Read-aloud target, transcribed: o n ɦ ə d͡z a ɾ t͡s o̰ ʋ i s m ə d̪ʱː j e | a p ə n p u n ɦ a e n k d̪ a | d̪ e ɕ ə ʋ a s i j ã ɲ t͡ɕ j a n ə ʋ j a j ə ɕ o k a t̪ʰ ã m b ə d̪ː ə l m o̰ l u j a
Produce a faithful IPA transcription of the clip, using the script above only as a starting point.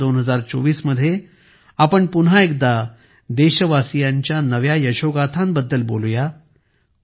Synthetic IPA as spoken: o n ɦ ə d͡z a ɾ t͡s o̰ ʋ iː s m ə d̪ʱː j e | a p ə ɳ p u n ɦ a e k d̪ a | d̪ e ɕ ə ʋ a s i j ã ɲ t͡ɕ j a n ə ʋ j a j ə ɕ o ɡ a t̪ʰ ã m b ə d̪ː ə l b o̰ l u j a